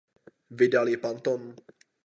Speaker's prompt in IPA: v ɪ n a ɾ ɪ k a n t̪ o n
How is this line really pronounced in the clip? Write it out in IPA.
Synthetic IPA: v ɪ d a l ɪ p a n t̪ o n